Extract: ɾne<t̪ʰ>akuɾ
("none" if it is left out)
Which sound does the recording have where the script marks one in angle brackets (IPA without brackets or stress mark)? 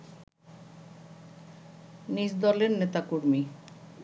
t̪